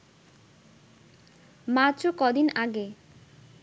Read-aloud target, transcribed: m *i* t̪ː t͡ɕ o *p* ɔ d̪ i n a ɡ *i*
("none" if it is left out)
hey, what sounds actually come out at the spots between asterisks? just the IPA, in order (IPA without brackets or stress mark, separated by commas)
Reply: a, k, e